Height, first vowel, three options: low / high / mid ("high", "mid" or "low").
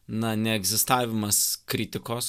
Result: low